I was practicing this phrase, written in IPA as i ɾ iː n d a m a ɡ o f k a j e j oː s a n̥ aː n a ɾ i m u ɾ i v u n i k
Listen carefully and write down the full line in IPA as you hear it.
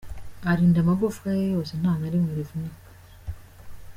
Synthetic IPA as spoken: a ɾ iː n d a m a ɡ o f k a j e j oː s e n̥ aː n a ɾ i m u ɾ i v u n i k